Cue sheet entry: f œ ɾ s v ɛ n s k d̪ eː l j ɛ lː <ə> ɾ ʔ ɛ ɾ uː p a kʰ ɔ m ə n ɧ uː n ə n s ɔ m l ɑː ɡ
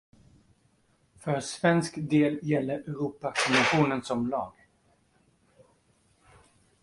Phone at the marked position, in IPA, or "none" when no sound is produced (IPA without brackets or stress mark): ə